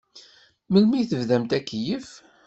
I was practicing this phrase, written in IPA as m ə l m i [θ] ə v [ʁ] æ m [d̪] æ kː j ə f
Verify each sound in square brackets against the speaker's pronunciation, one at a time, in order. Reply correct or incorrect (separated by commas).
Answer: correct, incorrect, incorrect